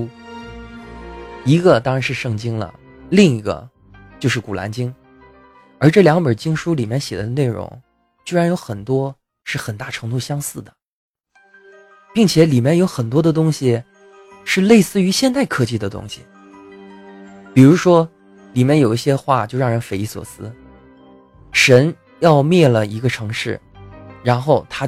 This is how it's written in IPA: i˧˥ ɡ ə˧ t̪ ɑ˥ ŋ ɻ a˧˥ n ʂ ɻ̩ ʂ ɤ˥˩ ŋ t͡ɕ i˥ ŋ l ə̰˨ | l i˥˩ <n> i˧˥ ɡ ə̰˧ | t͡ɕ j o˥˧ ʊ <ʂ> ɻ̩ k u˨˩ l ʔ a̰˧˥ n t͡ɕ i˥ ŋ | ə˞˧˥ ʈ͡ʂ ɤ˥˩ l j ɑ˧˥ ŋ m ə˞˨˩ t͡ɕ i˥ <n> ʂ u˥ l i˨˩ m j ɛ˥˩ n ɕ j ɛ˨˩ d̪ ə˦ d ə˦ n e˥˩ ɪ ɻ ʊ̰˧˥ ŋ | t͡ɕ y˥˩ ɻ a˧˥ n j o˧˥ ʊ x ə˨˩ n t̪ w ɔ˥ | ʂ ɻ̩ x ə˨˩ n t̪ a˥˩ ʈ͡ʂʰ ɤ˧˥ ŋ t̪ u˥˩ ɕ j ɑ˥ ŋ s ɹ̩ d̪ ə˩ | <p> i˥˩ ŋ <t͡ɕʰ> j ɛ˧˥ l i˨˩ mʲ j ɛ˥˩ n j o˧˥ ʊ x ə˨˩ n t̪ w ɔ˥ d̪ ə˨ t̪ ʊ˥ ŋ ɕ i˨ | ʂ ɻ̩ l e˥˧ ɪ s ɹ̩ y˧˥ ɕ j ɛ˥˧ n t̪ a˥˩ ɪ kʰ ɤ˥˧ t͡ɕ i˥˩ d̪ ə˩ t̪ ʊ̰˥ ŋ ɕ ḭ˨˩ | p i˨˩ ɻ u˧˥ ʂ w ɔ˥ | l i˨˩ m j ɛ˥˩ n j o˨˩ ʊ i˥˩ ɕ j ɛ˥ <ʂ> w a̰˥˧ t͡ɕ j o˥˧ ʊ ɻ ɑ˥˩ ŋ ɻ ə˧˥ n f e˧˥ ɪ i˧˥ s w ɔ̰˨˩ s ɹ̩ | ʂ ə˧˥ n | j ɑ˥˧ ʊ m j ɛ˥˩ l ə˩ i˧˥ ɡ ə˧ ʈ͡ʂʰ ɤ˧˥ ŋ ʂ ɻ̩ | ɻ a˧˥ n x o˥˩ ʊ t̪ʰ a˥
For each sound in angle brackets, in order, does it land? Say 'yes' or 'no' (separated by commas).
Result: no, yes, no, yes, yes, no